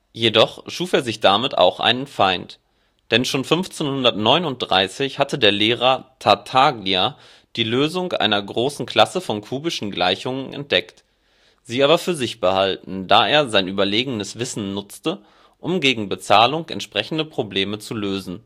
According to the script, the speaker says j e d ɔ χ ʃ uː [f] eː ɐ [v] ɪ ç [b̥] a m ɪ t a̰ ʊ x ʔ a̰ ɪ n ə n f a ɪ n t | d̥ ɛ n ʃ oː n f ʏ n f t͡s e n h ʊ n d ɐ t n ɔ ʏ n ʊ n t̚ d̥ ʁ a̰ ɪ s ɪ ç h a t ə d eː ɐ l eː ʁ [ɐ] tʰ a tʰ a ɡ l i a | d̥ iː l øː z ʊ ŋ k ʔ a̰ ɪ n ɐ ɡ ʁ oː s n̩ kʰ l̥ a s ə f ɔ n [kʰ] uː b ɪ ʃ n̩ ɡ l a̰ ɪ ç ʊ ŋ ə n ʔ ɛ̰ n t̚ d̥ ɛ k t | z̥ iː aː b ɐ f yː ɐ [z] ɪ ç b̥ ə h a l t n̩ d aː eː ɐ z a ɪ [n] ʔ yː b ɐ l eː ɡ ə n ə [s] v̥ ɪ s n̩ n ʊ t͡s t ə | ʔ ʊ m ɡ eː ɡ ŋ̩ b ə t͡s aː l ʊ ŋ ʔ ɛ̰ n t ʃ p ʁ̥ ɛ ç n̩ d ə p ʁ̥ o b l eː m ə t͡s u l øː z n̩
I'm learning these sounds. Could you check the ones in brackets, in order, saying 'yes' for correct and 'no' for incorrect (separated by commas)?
yes, no, no, yes, yes, yes, yes, yes